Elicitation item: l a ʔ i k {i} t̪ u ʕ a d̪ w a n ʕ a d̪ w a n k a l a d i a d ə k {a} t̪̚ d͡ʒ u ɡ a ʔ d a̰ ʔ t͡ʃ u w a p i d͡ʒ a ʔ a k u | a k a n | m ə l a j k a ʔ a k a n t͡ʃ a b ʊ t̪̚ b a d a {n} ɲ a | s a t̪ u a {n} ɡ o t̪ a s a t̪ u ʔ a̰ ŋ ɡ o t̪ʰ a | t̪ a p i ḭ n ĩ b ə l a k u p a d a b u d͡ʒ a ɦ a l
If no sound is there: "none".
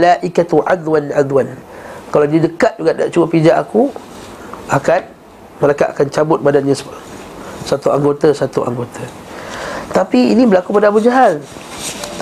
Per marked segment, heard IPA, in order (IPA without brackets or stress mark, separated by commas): a, a, n, ŋ